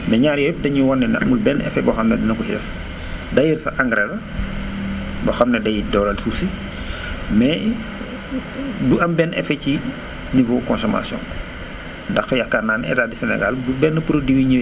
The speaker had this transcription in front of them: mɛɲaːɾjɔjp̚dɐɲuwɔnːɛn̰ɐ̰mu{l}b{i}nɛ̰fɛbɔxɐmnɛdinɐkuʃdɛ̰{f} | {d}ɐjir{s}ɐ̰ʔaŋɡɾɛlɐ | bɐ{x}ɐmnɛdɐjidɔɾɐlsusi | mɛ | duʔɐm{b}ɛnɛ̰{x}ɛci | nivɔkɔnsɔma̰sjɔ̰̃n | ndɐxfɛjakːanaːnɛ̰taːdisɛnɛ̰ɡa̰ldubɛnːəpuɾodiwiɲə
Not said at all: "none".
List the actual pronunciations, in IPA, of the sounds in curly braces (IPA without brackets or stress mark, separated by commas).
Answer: l, ɛ, f, d, s, x, b, f